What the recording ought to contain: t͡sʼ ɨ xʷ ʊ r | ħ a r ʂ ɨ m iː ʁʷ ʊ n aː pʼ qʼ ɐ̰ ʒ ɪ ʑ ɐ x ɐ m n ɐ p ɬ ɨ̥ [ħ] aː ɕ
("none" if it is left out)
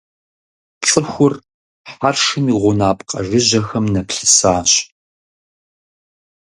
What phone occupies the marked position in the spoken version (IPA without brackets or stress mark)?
s